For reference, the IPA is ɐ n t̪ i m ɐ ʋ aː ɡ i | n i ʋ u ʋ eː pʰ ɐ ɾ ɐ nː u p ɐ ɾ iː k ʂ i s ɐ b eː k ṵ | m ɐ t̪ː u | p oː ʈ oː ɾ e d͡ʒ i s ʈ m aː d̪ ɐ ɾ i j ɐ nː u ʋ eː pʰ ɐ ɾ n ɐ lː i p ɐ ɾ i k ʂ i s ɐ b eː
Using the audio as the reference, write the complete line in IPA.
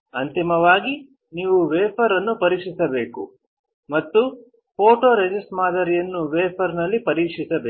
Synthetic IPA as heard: ɐ n t̪ i m ɐ ʋ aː ɡ i | n iː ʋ u ʋ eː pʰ ɐ ɾ ɐ nː u p ɐ ɾ iː k ʂ i s ɐ b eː k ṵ | m ɐ t̪ː u | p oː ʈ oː ɾ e d͡ʒ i s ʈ m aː d̪ ɐ ɾ i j ɐ nː u ʋ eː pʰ ɐ ɾ n ɐ lː i p ɐ ɾ iː k ʂ i s ɐ b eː

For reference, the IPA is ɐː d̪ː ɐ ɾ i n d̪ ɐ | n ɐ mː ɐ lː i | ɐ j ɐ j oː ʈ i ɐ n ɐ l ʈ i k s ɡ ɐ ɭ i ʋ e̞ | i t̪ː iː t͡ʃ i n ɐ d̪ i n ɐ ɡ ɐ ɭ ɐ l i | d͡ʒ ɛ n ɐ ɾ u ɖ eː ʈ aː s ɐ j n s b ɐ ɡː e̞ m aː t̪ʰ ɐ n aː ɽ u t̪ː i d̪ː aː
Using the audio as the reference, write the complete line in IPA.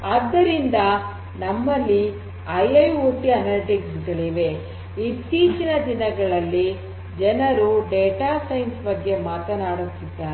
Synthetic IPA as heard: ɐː d̪ː ɐ ɾ i n d̪ ɐ | n ɐ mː ɐ lː i | ɐ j ɐ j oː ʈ i ɐ n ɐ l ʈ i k s ɡ ɐ ɭ i ʋ e̞ | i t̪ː iː t͡ʃ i n ɐ d̪ i n ɐ ɡ ɐ ɭ ɐ lː i | d͡ʒ ɛ n ɐ ɾ u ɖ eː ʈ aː s ɐ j n s b ɐ ɡː e̞ m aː t̪ ɐ n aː ɽ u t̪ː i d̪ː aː

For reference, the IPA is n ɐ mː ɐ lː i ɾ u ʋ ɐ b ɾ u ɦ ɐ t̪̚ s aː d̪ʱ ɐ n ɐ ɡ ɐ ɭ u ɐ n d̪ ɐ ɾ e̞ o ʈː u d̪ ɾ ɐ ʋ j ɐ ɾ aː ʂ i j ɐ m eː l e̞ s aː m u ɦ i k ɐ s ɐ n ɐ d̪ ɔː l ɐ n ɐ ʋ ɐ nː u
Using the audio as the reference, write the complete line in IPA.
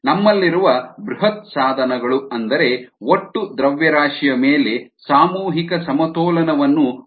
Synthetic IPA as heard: n ɐ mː ɐ lː i ɾ u ʋ ɐ b ɾ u ɦ ɐ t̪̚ s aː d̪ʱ ɐ n ɐ ɡ ɐ ɭ u ɐ n d̪ ɐ ɾ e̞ o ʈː u d̪ ɾ ɐ ʋ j ɐ ɾ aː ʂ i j ɐ m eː l e̞ s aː m uː ɦ i k ɐ s ɐ m ɐ t̪ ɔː l ɐ n ɐ ʋ ɐ nː u

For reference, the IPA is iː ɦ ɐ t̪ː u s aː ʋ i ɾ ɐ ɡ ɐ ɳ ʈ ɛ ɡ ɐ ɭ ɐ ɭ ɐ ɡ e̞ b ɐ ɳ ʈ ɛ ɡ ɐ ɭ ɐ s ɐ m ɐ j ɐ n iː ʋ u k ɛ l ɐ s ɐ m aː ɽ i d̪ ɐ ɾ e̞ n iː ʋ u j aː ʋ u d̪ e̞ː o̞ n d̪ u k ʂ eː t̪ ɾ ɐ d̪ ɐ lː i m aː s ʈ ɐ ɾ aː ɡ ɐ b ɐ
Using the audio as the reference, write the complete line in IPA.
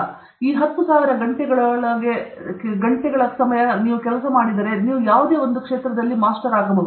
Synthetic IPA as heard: iː ɦ ɐ t̪ː u s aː ʋ i ɾ ɐ ɡ ɐ ɳ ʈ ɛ ɡ ɐ ɭ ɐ ɭ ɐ ɡ e̞ ɡ ɐ ɳ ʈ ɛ ɡ ɐ ɭ ɐ s ɐ m ɐ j ɐ n iː ʋ u k ɛ l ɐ s ɐ m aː ɽ i d̪ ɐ ɾ e̞ n iː ʋ u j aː ʋ u d̪ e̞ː o̞ n d̪ u k ʂ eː t̪ ɾ ɐ d̪ ɐ lː i m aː s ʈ ɐ ɾ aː ɡ ɐ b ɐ

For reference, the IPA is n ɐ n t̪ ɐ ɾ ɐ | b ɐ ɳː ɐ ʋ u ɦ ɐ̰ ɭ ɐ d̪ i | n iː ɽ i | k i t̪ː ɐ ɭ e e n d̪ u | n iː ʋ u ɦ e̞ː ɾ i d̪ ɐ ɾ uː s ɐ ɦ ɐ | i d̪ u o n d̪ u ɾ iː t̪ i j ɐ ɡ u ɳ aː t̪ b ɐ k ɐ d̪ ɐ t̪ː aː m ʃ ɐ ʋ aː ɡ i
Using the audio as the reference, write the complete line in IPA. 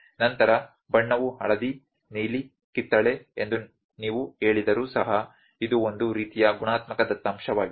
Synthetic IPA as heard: n ɐ n t̪ ɐ ɾ ɐ | b ɐ ɳː ɐ ʋ u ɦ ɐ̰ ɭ ɐ d̪ i | n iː l i | k i t̪ː ɐ ɭ e e n d̪ u | n iː ʋ u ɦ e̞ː ɭ i d̪ ɐ ɾ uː s ɐ ɦ ɐ | i d̪ u o n d̪ u ɾ iː t̪ i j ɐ ɡ u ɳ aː t̪ m ɐ k ɐ d̪ ɐ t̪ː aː m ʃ ɐ ʋ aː ɡ i

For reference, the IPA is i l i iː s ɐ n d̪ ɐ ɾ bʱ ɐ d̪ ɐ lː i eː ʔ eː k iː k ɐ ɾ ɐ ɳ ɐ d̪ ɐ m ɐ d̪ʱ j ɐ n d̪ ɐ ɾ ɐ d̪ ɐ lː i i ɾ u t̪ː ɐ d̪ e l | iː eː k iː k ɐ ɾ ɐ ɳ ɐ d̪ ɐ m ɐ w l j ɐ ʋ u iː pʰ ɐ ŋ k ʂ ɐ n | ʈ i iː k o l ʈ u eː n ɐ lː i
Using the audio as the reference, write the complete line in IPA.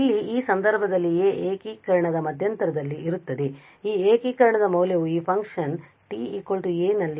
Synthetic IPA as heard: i lː i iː s ɐ n d̪ ɐ ɾ bʱ ɐ d̪ ɐ lː i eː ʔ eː k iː k ɐ ɾ ɐ ɳ ɐ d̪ ɐ m ɐ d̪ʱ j ɐ n t̪ ɐ ɾ ɐ d̪ ɐ lː i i ɾ u t̪ː ɐ d̪ e | iː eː k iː k ɐ ɾ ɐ ɳ ɐ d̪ ɐ m ɐ w l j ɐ ʋ u iː pʰ ɐ ŋ k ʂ ɐ n | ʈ i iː k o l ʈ u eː n ɐ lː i

